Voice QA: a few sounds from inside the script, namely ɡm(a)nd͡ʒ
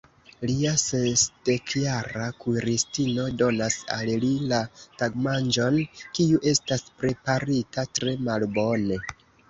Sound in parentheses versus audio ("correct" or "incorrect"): correct